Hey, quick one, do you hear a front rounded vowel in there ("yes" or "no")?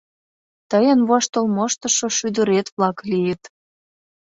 yes